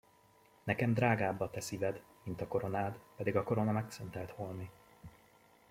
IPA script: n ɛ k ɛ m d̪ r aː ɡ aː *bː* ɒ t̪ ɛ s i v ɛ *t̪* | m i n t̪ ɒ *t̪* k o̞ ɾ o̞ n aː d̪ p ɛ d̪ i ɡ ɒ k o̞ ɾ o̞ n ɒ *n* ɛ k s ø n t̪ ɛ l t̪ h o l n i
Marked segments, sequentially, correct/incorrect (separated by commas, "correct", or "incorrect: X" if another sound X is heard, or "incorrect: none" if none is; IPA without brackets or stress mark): correct, incorrect: d̪, incorrect: none, incorrect: m